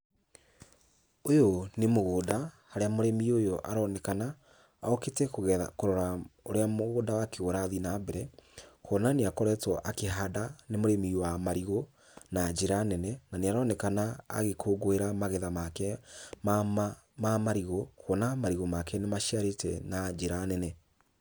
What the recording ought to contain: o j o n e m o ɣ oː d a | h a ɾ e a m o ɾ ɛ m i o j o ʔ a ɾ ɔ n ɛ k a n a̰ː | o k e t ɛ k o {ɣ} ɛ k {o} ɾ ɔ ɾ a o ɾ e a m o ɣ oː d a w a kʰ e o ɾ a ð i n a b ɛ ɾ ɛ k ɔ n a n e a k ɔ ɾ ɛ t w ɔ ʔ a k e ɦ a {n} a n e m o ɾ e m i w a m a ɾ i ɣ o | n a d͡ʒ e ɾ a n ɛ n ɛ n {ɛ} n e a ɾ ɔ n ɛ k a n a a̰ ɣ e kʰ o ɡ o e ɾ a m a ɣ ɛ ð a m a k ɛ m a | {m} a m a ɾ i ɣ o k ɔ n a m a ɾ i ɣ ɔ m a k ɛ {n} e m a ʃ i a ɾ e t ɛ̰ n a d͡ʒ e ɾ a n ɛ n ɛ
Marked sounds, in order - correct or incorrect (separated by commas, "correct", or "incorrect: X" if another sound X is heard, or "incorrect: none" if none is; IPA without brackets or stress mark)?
correct, correct, incorrect: d, incorrect: a, correct, correct